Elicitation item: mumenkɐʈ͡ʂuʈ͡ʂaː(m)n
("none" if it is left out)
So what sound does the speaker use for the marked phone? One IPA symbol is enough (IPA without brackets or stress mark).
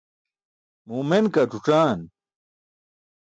none